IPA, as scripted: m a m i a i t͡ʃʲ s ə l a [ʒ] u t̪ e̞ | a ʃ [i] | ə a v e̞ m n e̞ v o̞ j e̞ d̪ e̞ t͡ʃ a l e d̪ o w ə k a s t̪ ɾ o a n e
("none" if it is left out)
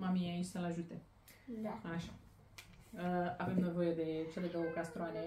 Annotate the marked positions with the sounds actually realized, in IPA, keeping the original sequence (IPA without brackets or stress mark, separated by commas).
ʒ, a